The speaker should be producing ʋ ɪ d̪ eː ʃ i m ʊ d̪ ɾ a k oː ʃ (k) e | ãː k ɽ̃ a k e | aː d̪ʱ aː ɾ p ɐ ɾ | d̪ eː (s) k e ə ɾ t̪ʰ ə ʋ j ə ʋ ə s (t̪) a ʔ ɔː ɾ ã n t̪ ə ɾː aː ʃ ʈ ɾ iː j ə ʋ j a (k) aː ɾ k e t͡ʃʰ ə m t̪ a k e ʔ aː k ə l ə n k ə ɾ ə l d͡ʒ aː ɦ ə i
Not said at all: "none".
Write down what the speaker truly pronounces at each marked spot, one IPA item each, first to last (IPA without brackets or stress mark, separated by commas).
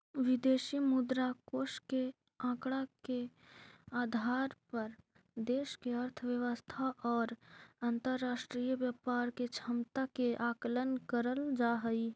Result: k, ʃ, t̪ʰ, p